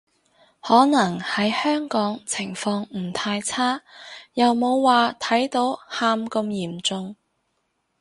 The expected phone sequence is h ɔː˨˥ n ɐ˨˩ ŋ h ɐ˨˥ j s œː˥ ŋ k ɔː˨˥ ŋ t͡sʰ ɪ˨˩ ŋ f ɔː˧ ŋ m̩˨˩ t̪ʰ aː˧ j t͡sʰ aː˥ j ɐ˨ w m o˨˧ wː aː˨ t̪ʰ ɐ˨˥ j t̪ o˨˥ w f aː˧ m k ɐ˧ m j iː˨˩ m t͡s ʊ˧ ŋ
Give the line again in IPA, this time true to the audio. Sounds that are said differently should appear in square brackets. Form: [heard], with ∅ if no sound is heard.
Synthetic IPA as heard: h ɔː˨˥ n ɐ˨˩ ŋ h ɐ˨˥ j [h] œː˥ ŋ k ɔː˨˥ ŋ t͡sʰ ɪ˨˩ ŋ f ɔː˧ ŋ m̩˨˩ t̪ʰ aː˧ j t͡sʰ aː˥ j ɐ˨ w m o˨˧ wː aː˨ t̪ʰ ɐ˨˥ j t̪ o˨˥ w [h] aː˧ m k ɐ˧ m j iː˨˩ m t͡s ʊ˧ ŋ